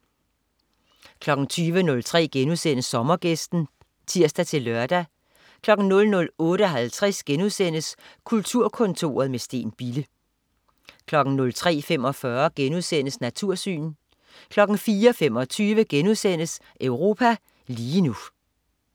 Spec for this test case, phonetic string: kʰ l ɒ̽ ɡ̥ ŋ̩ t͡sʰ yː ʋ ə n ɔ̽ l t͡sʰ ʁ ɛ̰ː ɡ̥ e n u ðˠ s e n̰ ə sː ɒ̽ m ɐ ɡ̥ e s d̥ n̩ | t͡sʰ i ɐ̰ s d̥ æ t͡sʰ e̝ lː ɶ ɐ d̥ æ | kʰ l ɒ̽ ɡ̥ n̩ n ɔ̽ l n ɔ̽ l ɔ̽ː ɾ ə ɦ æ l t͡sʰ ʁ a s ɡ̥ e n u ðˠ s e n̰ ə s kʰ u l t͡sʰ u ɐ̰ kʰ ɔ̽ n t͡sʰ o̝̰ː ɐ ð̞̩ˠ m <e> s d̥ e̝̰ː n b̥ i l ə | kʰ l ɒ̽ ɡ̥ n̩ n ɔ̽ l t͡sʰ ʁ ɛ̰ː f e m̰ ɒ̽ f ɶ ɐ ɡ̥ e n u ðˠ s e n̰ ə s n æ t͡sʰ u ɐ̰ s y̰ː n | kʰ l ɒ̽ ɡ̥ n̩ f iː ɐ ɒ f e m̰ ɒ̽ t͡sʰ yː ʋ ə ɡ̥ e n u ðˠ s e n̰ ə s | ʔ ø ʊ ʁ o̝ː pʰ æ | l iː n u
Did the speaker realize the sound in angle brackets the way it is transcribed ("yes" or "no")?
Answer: yes